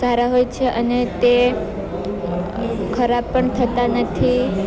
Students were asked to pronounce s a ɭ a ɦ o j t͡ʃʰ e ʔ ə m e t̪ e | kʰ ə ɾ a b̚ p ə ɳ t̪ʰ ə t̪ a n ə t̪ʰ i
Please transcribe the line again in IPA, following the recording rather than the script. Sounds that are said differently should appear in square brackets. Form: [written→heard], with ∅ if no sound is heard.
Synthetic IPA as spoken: s a [ɭ→ɾ] a ɦ o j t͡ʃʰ e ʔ ə [m→n] e t̪ e | kʰ ə ɾ a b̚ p ə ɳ t̪ʰ ə t̪ a n ə t̪ʰ i